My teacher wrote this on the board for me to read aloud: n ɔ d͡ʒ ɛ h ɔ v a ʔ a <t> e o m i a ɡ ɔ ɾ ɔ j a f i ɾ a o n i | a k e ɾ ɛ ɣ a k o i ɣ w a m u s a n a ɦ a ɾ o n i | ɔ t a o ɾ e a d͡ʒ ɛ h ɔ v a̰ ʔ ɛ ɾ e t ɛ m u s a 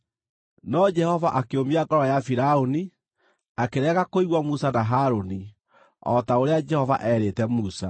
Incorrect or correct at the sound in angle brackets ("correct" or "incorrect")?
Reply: incorrect